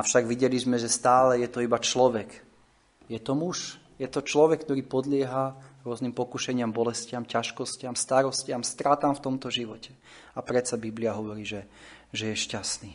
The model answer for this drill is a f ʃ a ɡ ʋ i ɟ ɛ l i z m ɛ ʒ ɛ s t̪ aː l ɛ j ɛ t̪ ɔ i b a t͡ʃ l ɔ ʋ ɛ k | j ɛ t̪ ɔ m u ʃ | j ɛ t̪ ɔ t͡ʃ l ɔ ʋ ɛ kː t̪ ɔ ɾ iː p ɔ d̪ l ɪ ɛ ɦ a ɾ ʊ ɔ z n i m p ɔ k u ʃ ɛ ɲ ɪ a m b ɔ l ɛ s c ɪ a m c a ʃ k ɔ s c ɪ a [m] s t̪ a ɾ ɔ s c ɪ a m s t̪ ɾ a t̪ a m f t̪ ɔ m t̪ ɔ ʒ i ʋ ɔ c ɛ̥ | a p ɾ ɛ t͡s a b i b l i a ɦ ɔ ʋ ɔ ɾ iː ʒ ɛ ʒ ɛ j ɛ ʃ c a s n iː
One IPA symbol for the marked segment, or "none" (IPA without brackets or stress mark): m